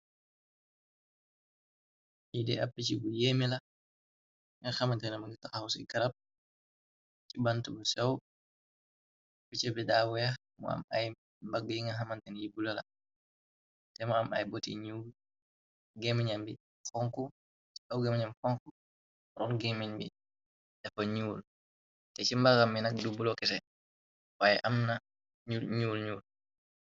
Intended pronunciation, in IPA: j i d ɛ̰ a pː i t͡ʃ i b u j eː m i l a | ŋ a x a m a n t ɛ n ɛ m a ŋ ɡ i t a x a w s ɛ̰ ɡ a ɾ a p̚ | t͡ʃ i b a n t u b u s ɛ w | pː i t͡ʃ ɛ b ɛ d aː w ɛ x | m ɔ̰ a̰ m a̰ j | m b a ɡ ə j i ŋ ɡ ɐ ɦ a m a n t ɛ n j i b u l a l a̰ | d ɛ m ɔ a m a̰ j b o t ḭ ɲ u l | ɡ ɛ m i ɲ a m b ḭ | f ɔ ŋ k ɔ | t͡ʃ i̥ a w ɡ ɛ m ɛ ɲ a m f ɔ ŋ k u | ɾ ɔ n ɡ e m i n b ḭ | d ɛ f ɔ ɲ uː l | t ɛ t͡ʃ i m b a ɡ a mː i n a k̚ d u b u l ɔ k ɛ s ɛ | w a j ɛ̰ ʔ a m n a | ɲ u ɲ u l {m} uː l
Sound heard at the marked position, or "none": ɲ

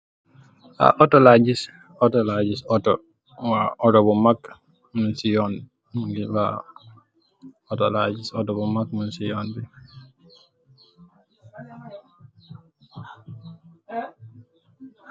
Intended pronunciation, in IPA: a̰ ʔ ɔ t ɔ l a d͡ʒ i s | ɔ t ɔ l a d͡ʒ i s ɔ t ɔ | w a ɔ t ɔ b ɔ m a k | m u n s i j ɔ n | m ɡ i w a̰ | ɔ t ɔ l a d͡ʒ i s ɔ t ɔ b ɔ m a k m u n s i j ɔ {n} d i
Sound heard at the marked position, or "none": n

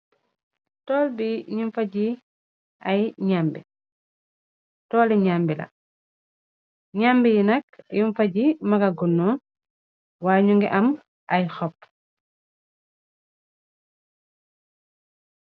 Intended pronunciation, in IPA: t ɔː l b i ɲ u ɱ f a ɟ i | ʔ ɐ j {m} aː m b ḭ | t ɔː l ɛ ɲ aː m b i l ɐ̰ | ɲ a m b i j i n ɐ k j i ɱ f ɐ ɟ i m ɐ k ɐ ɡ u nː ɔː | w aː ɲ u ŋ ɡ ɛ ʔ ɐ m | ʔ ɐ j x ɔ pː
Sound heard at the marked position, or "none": ɲ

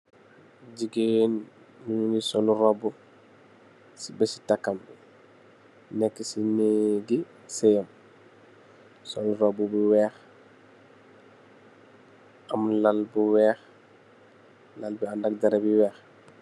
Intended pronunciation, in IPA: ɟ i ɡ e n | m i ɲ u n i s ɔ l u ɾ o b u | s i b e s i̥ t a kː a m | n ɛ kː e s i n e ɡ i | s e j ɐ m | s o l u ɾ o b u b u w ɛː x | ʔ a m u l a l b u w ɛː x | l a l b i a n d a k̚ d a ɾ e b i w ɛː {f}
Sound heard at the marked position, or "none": x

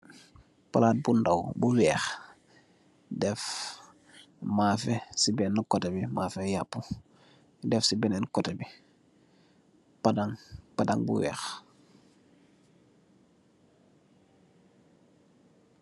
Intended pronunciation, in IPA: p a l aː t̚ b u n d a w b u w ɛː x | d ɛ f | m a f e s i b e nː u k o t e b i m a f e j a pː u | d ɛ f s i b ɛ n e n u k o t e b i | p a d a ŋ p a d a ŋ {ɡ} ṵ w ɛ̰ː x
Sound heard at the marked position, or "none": b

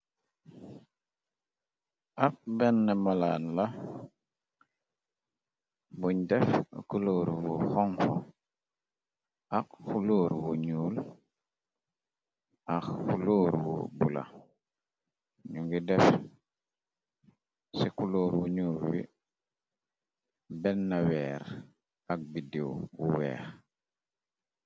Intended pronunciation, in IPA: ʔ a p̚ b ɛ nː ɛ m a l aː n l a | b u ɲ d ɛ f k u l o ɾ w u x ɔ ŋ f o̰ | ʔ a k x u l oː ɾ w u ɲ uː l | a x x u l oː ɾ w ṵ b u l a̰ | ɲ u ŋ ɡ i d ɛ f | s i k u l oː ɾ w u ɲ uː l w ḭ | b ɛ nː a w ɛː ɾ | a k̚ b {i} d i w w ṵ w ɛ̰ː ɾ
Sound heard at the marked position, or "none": i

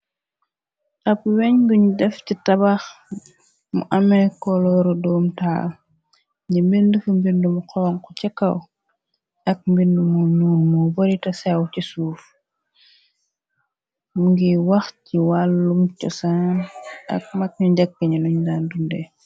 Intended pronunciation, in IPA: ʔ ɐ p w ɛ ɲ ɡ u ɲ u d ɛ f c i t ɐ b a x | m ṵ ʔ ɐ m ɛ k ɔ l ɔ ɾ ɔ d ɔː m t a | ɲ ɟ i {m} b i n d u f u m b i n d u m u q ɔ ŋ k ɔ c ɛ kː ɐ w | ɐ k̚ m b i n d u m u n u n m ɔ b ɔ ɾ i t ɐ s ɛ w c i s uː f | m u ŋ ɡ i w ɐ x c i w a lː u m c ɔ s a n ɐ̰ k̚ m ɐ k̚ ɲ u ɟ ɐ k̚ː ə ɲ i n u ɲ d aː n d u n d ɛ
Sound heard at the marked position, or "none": m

